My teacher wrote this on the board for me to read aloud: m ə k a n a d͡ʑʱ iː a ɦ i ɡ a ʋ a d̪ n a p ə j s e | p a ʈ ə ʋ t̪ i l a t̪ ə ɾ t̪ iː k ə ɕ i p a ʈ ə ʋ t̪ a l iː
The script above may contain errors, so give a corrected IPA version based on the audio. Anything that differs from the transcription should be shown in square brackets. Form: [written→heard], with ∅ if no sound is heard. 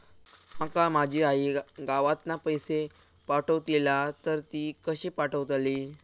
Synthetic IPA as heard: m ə k a [n→m] a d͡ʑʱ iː a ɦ i ɡ a ʋ a [d̪→t̪] n a p ə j s e | p a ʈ ə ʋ t̪ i l a t̪ ə ɾ t̪ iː k ə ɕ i p a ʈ ə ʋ t̪ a l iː